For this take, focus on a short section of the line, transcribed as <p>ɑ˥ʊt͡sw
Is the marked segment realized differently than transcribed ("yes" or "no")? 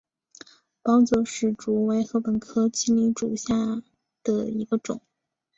no